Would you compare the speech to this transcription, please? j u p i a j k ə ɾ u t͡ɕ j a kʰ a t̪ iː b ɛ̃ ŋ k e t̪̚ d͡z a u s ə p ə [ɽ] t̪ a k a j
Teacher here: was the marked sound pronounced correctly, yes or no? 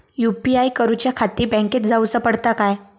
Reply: yes